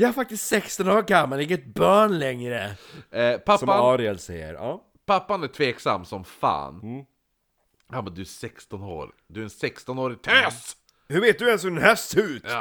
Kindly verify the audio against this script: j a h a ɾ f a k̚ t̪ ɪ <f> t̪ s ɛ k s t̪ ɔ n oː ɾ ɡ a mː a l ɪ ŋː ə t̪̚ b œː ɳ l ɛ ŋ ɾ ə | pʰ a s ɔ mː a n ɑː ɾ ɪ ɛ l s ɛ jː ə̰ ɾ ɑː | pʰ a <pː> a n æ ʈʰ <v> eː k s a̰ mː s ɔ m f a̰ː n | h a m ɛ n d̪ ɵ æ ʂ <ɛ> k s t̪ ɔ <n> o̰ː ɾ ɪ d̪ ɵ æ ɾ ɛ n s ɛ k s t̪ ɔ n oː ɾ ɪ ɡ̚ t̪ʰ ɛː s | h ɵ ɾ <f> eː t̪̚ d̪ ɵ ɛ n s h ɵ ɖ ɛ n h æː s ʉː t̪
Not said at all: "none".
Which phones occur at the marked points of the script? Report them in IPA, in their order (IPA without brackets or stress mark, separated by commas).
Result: s, pː, v, ɛ, n, v